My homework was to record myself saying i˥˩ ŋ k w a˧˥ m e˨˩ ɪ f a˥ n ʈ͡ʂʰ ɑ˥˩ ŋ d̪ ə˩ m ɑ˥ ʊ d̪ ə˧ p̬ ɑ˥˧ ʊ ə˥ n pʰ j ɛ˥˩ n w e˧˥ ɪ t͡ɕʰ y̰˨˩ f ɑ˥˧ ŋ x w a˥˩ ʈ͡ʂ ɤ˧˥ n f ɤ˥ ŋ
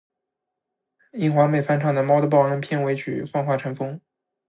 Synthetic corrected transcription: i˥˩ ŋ x w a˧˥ m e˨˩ ɪ f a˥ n ʈ͡ʂʰ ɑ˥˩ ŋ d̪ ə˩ m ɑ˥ ʊ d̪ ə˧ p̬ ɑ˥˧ ʊ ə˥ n pʰ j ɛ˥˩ n w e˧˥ ɪ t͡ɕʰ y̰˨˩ f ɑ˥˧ ŋ x w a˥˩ ʈ͡ʂʰ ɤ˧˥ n f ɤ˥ ŋ